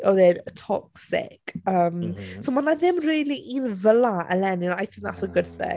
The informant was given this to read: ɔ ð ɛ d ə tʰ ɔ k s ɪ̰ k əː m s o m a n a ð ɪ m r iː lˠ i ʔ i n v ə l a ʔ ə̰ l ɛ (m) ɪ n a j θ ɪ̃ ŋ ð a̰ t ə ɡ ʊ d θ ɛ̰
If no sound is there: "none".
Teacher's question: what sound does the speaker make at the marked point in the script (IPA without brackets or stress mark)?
n